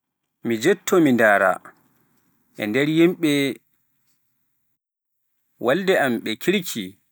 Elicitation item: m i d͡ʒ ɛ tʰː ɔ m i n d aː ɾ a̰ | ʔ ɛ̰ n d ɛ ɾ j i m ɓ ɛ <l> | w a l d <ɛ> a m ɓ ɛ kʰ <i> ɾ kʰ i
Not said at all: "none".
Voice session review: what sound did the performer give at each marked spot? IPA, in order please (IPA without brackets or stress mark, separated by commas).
none, ɛ, i